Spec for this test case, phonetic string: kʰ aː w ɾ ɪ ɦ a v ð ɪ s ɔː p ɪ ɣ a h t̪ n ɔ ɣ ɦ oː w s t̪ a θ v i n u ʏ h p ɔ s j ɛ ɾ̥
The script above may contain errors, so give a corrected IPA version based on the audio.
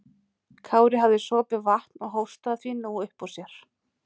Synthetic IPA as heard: kʰ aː w ɾ ɪ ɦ a v ð ɪ s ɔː p ɪ v a h t̪ n ɔ ɣ ɦ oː w s t̪ a θ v i n u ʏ h p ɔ s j ɛ ɾ̥